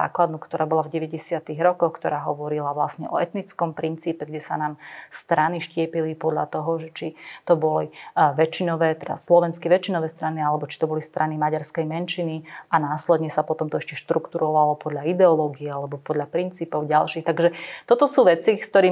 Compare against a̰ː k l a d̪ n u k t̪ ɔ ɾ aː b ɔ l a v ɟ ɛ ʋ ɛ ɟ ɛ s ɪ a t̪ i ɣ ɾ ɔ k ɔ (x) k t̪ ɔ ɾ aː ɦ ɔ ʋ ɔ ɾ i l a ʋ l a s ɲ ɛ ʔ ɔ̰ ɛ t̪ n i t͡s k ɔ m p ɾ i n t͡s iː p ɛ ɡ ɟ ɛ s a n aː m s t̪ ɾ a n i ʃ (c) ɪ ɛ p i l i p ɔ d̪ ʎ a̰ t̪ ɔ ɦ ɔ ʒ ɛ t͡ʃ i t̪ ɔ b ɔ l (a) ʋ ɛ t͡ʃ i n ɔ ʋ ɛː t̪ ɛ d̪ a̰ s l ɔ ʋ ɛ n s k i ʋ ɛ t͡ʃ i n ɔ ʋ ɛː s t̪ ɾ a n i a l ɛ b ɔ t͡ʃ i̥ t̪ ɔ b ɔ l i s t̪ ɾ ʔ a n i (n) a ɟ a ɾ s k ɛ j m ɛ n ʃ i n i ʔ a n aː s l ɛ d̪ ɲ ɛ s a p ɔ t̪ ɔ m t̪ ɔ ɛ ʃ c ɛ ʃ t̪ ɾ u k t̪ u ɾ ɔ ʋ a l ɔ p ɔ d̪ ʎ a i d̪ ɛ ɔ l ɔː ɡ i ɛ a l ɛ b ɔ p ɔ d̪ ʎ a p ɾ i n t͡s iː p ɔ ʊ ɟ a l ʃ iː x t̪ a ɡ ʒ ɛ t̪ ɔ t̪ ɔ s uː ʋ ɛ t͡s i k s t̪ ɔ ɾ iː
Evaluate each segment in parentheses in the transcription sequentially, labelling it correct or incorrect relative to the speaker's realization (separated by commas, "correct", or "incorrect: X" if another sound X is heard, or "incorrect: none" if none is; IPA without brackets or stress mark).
correct, correct, incorrect: i, incorrect: m